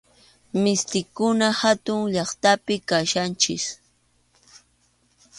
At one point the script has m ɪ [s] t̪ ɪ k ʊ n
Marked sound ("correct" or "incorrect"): correct